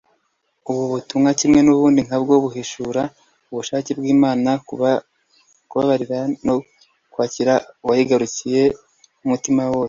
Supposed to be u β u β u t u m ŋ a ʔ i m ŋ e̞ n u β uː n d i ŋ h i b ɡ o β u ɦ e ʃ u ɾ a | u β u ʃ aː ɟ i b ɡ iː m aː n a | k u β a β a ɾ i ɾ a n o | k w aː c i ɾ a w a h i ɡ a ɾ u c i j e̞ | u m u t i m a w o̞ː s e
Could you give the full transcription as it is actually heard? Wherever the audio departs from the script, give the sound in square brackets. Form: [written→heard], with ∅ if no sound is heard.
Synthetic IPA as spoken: u β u β u t u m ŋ a [ʔ→c] i m ŋ e̞ n u β uː n d i ŋ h [i→a] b ɡ o β u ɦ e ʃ u ɾ a | u β u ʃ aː [ɟ→c] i b ɡ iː m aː n a | k u β a β a ɾ i ɾ a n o | k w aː c i ɾ a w a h i ɡ a ɾ u c i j e̞ | u m u t i m a w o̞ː s e